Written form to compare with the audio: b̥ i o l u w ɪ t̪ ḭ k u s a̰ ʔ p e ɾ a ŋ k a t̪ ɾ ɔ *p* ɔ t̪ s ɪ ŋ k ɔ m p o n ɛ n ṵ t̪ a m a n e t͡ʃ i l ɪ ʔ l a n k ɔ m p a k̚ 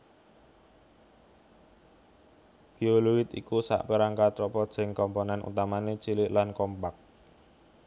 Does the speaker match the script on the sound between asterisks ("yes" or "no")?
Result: yes